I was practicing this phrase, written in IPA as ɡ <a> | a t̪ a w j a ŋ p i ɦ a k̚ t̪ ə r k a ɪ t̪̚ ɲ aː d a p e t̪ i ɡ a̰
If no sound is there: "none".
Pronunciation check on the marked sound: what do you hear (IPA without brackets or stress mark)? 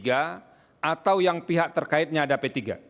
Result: a